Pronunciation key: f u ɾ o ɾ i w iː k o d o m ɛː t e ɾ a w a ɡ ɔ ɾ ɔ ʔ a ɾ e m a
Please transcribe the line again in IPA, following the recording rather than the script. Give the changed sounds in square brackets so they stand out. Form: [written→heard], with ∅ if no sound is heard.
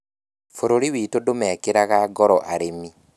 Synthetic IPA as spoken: f [u→o] ɾ o ɾ i w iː [k→t] o d o m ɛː [t→k] e ɾ a [w→ɣ] a ɡ ɔ ɾ ɔ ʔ a ɾ e m [a→i]